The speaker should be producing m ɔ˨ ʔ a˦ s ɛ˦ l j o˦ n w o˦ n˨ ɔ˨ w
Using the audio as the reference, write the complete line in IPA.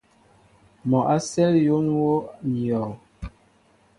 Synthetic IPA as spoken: m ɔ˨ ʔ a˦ s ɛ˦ l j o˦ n w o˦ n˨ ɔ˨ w

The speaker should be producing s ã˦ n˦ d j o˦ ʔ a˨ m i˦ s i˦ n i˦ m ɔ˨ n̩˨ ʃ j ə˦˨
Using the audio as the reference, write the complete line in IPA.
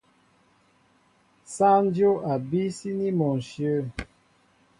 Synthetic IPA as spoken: s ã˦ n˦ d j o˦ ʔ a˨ b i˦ s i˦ n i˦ m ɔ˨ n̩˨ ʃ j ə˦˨

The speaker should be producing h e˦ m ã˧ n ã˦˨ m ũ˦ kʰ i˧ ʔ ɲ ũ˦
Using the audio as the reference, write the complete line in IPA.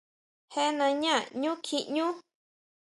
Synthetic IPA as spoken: h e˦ n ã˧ ɲ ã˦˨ ɲ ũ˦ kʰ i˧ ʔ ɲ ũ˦

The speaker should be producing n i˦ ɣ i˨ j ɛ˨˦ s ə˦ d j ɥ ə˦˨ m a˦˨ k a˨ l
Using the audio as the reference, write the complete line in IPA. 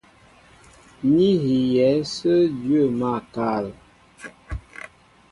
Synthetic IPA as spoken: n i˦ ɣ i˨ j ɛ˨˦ s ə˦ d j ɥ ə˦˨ m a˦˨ k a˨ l

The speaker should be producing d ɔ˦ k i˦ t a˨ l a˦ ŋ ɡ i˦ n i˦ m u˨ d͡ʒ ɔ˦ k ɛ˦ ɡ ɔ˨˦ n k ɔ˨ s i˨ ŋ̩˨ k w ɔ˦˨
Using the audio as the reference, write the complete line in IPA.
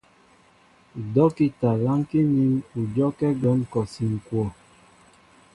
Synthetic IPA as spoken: d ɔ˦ k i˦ t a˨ l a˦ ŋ k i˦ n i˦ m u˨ d͡ʒ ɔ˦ k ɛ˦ ɡ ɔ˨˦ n k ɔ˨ s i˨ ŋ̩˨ k w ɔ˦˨

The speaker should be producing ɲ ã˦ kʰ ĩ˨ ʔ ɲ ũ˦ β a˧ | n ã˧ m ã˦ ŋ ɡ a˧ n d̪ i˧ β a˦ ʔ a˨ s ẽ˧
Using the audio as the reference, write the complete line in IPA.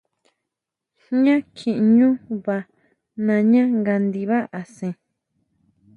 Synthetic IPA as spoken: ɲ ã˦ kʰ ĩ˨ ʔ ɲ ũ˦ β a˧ | n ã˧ ɲ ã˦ ŋ ɡ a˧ n d̪ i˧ β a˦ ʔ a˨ s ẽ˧

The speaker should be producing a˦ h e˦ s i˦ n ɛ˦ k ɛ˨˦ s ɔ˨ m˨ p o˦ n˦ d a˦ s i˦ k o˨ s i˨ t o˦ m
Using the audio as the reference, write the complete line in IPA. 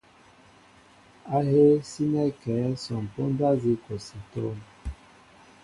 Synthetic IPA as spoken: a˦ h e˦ s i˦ n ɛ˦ k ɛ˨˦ s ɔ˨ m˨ p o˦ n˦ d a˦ z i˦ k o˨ s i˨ t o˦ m

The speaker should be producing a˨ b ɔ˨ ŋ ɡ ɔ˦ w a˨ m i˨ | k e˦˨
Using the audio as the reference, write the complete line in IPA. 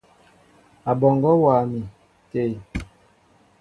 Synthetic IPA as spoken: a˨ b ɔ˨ ŋ ɡ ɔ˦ w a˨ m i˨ | t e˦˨

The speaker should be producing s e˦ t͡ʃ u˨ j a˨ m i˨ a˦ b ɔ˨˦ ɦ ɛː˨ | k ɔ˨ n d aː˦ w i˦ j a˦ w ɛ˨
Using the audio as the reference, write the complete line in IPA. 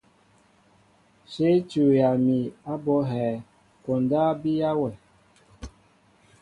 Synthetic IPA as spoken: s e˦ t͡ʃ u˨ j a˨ m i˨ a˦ b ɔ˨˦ ɦ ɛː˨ | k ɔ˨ n d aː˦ b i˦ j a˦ w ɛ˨

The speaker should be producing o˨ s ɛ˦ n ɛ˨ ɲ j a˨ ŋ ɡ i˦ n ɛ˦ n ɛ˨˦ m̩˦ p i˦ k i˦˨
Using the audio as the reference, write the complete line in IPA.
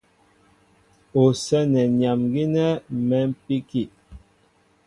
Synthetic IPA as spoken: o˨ s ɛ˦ n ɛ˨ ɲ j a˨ m ɡ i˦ n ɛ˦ m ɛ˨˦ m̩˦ p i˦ k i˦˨

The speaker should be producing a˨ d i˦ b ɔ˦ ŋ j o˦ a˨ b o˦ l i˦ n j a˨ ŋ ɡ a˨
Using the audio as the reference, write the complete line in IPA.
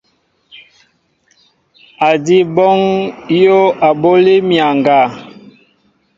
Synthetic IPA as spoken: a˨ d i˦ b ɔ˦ ŋ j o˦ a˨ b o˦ l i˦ m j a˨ ŋ ɡ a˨

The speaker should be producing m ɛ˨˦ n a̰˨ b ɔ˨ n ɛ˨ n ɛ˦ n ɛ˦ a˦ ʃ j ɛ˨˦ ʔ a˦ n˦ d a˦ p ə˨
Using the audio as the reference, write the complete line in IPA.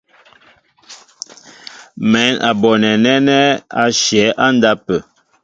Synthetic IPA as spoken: m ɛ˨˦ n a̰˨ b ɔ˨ n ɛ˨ n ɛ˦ n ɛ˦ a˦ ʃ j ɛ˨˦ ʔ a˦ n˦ d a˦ p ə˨

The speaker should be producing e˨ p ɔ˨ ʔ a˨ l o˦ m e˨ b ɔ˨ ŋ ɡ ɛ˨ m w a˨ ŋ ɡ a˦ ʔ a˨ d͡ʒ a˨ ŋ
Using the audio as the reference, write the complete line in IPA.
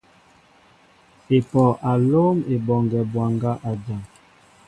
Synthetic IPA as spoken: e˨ p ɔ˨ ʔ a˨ l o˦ m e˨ b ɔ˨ ŋ ɡ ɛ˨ b w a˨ ŋ ɡ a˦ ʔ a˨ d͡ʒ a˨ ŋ

